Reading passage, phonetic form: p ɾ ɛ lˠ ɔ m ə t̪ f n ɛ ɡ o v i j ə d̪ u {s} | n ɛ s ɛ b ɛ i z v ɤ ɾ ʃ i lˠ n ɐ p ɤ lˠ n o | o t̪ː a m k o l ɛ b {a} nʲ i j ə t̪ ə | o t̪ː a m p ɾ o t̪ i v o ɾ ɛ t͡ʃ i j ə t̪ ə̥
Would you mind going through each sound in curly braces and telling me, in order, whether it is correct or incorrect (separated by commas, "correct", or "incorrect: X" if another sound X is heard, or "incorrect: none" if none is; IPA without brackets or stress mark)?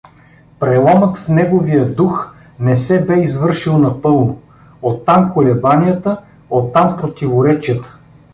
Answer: incorrect: x, correct